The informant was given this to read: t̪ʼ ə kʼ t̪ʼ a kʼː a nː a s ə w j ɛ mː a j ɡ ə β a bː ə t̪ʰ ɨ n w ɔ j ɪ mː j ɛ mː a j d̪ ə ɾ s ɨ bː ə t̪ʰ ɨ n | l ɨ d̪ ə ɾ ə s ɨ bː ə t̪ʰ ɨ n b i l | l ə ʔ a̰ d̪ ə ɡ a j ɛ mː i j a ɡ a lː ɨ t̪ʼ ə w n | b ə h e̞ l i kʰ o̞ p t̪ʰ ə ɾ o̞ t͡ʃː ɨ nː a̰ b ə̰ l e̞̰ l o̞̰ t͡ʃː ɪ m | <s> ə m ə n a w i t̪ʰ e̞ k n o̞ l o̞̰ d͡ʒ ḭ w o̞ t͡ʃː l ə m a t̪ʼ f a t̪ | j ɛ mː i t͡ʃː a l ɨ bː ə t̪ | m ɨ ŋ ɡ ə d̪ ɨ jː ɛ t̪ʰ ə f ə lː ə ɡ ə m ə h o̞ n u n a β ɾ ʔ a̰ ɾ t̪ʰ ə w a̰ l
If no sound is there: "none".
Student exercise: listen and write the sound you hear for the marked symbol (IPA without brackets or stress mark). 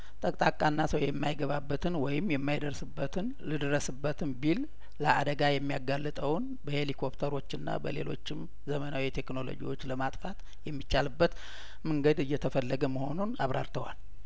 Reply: z